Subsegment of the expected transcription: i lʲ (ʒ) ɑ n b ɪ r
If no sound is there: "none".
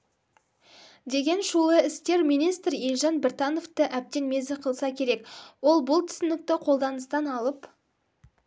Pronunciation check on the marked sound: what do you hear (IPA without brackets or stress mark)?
ʒ